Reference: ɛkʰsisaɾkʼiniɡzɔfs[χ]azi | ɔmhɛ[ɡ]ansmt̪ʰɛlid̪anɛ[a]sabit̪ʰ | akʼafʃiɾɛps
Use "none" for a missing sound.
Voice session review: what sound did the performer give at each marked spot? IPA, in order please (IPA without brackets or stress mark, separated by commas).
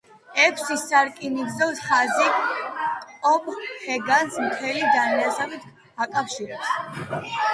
χ, ɡ, a